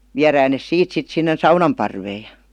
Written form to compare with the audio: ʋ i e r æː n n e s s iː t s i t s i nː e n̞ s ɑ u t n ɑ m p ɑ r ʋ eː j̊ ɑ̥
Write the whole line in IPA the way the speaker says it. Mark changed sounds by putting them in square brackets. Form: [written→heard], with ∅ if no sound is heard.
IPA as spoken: ʋ i [e→æ] r æː n n e s s iː t s i t s i nː e n̞ s ɑ u [t→∅] n ɑ m p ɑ r ʋ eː j̊ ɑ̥